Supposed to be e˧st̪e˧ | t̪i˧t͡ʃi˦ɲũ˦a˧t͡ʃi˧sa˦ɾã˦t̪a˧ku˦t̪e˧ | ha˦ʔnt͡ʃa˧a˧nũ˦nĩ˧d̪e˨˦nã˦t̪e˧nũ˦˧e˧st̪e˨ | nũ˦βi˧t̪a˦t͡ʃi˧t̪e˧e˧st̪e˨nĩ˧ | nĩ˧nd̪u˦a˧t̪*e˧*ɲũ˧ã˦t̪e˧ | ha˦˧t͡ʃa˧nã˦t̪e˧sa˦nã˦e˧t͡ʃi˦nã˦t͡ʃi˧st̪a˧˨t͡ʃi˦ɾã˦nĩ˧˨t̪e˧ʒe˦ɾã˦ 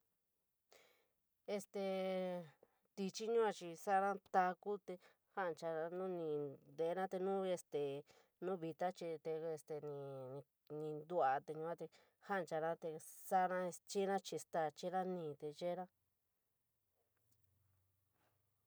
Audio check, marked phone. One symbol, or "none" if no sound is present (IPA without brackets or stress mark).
e˧